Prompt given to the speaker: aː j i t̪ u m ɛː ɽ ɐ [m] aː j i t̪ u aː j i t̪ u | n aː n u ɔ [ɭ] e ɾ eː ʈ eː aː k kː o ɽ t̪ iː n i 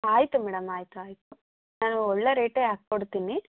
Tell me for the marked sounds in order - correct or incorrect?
correct, incorrect

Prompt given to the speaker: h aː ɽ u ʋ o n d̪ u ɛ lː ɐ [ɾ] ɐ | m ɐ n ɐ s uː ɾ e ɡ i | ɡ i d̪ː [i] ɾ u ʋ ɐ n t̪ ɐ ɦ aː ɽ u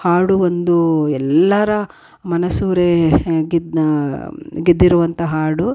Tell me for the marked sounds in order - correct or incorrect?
correct, correct

